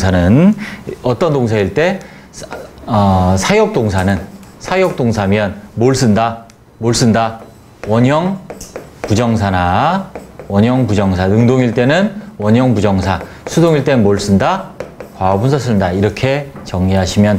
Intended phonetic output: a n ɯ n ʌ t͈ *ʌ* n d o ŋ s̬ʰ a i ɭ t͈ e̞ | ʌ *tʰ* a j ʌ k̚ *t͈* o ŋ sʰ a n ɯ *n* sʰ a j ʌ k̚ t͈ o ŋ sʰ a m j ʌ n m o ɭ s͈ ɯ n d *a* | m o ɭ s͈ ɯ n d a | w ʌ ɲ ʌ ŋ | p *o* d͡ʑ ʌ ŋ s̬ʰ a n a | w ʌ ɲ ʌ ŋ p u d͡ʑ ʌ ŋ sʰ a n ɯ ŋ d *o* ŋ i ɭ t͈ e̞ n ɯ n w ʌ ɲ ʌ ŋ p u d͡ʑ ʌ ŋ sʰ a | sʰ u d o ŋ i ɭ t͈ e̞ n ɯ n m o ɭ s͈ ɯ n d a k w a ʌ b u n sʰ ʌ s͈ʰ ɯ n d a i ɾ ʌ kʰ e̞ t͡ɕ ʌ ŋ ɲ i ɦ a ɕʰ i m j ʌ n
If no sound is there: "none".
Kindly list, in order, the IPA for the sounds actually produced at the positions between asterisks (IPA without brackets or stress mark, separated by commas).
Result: ʌ, sʰ, t͈, n, a, u, o